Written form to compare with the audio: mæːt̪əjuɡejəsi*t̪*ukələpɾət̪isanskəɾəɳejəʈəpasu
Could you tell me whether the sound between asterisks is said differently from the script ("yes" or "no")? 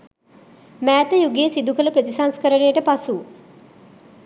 yes